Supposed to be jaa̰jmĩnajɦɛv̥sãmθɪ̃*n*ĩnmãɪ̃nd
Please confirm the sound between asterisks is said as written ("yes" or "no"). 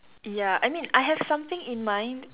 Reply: no